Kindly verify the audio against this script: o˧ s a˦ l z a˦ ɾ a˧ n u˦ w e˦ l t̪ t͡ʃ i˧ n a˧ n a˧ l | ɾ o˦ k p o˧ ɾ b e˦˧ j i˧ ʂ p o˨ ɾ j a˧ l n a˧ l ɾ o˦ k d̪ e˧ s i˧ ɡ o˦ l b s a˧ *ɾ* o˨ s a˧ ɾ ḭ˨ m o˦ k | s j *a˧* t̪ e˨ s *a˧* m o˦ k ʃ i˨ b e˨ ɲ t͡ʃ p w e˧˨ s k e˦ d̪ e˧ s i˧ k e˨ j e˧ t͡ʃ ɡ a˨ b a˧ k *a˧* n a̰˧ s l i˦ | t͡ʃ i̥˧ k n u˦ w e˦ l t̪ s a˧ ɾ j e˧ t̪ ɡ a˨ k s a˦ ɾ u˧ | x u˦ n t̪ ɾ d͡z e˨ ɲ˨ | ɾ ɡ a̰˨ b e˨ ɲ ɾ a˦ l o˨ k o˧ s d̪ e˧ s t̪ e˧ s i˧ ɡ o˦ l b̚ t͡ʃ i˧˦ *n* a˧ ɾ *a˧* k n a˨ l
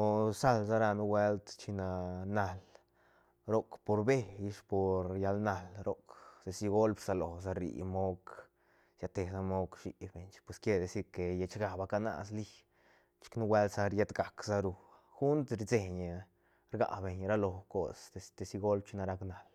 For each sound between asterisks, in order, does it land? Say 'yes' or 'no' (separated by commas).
no, yes, yes, yes, yes, yes